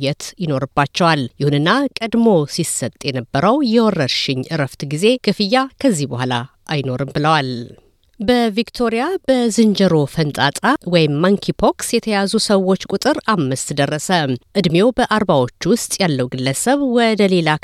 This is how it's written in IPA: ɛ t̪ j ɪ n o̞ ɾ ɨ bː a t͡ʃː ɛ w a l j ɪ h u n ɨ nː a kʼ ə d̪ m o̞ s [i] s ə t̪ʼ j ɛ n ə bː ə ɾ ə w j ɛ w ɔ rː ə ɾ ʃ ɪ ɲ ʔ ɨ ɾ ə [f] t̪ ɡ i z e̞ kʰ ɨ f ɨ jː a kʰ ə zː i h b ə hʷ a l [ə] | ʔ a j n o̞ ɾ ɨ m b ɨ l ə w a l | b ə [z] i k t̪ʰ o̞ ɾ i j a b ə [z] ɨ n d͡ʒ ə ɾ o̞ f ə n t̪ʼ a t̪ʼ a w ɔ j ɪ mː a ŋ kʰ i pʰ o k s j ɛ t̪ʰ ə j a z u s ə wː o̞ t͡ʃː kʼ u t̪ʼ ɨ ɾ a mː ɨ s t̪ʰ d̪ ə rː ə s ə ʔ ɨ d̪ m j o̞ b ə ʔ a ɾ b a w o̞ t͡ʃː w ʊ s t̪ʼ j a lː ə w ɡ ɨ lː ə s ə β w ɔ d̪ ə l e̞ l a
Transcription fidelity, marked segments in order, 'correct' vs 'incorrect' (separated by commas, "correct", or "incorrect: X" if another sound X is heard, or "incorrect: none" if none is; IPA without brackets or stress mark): correct, correct, incorrect: a, incorrect: v, correct